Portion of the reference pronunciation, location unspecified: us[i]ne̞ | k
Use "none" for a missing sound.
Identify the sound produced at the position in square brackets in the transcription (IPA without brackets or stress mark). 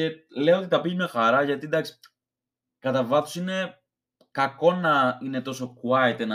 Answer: i